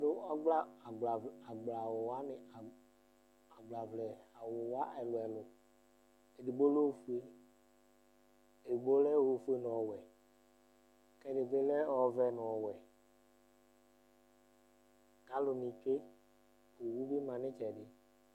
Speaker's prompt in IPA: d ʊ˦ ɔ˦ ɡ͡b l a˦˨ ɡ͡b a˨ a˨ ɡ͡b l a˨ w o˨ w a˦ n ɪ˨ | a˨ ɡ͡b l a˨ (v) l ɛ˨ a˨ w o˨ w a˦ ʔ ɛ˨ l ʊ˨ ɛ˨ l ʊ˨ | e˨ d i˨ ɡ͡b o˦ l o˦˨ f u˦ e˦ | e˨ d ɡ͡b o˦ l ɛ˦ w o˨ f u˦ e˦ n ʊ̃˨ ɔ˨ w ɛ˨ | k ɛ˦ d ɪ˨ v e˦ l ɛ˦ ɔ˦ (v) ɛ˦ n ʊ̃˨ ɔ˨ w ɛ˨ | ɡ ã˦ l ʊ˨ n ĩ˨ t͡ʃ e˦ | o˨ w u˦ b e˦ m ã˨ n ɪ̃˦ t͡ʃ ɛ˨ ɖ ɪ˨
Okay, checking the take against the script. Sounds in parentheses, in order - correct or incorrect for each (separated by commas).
correct, correct